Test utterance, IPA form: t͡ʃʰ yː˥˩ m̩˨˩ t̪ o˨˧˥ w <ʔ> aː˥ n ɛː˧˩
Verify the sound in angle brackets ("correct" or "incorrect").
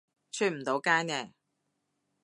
incorrect